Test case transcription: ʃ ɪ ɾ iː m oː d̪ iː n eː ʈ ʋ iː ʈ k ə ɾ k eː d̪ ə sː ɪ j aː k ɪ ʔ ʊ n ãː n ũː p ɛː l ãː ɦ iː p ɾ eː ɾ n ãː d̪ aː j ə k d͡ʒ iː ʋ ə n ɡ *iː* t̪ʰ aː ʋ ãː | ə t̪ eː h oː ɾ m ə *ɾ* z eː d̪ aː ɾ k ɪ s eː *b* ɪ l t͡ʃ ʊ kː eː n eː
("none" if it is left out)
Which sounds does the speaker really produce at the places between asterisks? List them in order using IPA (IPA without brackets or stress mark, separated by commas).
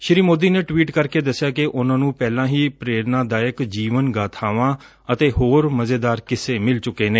aː, none, m